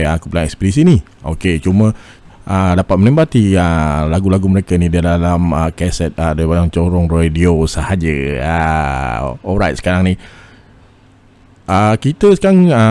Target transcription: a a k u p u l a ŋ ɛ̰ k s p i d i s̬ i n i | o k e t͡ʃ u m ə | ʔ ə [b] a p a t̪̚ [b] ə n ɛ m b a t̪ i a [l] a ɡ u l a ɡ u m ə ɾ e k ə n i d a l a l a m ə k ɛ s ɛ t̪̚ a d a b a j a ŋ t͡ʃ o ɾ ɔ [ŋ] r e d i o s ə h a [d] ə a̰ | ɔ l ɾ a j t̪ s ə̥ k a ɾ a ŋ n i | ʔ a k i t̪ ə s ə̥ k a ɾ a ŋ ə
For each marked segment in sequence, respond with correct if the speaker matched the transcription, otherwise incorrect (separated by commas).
incorrect, incorrect, correct, correct, incorrect